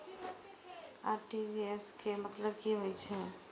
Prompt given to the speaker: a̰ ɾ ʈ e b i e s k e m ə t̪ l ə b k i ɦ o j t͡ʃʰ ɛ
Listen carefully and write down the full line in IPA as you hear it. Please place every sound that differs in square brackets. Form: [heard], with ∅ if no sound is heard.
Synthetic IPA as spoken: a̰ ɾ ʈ [i] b i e s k e m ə t̪ l ə b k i ɦ o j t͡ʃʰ ɛ